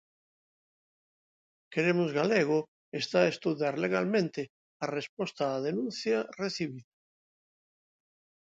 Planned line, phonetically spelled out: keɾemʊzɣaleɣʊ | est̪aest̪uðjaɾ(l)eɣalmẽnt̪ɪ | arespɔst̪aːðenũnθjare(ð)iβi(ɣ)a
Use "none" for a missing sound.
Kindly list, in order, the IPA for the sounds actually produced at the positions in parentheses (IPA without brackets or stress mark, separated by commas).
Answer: l, θ, ð